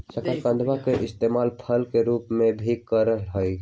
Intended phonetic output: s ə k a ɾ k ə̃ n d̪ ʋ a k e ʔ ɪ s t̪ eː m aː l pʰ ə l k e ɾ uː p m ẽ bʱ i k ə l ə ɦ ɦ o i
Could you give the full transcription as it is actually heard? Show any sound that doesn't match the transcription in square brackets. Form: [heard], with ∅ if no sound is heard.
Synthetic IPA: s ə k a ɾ k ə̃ n d̪ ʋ a k e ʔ ɪ s t̪ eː m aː l pʰ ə l k e ɾ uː p m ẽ bʱ i k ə [ɾ] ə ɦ ɦ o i